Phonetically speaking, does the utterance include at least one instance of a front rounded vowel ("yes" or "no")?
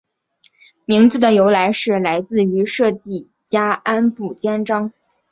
yes